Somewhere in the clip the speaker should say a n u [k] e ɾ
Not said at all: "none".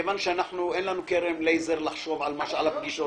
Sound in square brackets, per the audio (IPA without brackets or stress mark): k